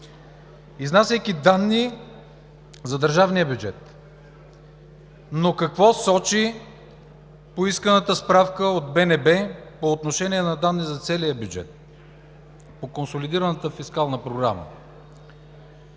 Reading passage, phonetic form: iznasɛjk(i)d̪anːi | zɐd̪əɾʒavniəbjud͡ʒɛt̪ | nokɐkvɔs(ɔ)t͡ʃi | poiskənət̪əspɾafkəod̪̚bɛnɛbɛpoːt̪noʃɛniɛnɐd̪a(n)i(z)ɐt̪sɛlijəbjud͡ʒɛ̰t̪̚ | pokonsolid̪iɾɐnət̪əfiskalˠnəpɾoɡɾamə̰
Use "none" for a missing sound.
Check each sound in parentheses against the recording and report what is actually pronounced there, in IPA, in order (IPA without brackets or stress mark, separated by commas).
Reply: i, ɔ, nː, z